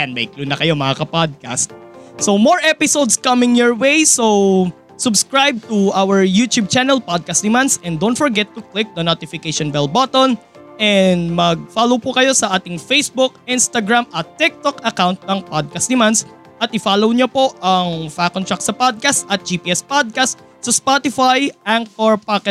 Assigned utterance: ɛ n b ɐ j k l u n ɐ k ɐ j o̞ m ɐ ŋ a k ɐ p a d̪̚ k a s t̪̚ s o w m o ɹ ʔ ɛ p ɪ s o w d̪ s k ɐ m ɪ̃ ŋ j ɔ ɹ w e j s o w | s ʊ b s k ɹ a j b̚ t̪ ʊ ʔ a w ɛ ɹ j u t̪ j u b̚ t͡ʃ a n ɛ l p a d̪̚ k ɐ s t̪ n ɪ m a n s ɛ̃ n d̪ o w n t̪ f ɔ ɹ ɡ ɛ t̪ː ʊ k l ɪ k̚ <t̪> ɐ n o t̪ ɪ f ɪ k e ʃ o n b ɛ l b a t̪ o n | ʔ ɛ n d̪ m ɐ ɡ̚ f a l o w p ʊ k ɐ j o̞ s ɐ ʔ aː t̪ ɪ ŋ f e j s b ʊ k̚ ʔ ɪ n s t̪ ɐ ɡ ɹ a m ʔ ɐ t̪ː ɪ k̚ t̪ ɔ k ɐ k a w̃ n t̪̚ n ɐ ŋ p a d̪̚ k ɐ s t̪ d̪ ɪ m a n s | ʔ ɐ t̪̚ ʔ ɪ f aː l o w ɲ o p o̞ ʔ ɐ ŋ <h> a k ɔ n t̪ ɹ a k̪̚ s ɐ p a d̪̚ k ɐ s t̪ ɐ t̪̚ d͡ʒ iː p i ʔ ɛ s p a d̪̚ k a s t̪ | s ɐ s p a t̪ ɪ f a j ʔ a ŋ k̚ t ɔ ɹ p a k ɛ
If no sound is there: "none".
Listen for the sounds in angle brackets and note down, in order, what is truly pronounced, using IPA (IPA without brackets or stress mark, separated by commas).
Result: d̪, f